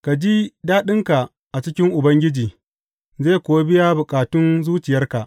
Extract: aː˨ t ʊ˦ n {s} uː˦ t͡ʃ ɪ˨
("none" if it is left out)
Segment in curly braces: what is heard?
z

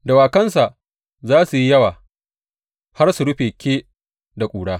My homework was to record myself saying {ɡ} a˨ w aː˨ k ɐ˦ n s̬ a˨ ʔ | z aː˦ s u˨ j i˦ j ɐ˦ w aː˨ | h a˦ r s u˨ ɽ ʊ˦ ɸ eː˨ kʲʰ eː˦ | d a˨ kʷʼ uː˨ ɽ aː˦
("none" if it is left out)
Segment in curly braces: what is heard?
d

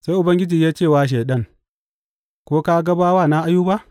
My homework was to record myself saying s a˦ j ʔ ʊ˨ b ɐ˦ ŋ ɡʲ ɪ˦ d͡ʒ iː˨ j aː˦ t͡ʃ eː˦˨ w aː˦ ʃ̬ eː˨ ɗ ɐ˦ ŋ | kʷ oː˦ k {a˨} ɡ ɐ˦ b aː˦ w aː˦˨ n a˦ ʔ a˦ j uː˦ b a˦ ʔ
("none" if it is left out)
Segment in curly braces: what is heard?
a˦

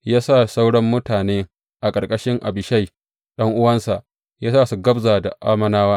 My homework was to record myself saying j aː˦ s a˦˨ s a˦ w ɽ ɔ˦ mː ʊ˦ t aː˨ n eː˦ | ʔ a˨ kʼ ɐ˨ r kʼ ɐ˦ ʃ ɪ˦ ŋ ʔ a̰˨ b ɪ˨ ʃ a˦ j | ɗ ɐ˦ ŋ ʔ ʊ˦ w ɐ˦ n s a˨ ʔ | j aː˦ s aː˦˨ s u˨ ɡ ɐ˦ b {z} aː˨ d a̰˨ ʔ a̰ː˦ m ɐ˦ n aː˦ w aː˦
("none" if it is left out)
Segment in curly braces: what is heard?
z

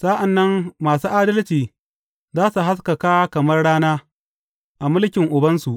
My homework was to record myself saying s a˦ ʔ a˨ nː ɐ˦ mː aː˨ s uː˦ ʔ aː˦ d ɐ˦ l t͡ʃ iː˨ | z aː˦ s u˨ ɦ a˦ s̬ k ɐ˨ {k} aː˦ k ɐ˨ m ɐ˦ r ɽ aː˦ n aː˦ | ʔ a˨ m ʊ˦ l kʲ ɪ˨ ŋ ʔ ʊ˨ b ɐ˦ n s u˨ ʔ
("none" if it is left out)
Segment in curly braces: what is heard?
k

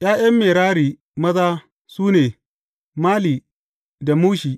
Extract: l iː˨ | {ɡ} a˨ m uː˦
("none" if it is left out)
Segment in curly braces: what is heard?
d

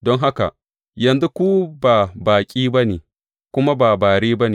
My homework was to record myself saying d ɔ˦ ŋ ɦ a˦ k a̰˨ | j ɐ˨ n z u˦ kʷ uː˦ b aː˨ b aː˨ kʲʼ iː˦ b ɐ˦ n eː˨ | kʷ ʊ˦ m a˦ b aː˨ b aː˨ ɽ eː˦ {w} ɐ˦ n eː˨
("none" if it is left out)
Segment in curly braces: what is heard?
b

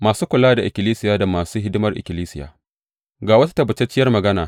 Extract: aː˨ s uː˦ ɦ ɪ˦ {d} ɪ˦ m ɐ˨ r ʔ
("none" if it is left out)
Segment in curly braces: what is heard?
d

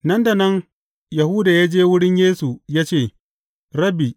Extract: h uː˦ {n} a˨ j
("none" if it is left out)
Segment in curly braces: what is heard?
d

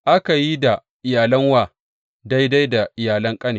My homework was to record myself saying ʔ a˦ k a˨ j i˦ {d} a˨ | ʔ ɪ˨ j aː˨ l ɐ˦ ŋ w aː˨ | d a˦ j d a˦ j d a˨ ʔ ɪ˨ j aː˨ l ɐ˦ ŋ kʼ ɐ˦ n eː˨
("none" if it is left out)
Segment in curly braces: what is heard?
d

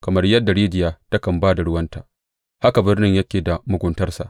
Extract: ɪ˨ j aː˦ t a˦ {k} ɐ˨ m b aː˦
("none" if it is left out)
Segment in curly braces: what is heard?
k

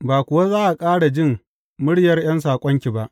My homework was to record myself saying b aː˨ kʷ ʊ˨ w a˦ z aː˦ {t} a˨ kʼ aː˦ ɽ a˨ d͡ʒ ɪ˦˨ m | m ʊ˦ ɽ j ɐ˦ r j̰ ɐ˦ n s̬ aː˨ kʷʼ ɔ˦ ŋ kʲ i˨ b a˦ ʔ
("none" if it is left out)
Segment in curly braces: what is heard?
ʔ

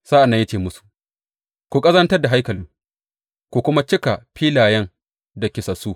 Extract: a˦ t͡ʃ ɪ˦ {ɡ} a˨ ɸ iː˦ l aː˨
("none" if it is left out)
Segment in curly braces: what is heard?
k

